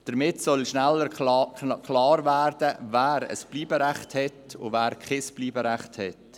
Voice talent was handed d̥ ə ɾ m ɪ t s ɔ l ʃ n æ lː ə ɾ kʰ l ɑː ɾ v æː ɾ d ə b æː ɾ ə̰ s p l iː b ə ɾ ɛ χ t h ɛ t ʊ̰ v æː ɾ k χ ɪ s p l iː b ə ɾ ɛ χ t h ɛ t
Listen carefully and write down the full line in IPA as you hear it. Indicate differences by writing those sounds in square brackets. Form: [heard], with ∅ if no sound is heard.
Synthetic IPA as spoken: d̥ ə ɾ m ɪ t s ɔ l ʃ n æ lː ə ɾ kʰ l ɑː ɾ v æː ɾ d ə [v] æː ɾ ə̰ s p l iː b ə ɾ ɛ χ t h ɛ t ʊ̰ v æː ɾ k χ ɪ s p l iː b ə ɾ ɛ χ t h ɛ t